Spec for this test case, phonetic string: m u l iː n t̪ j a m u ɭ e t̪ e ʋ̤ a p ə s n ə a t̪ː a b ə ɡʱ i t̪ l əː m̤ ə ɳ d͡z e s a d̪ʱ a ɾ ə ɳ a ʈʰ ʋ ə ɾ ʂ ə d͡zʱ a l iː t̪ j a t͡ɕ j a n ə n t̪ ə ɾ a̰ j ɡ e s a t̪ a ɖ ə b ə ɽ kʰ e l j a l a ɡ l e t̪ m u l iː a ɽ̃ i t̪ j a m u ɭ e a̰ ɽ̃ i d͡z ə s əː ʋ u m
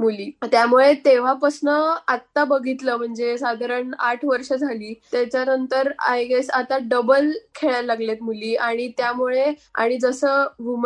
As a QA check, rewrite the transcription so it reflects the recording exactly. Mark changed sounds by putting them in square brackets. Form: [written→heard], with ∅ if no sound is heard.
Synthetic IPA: m u l iː [n→∅] t̪ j a m u ɭ e t̪ e ʋ̤ a p ə s n ə a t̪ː a b ə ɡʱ i t̪ l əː m̤ ə ɳ d͡z e s a d̪ʱ a ɾ ə ɳ a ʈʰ ʋ ə ɾ ʂ ə d͡zʱ a l iː t̪ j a t͡ɕ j a n ə n t̪ ə ɾ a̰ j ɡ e s a t̪ a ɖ ə b ə [ɽ→l] kʰ e [l→ɭ] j a l a ɡ l e t̪ m u l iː a ɽ̃ i t̪ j a m u ɭ e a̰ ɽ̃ i d͡z ə s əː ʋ u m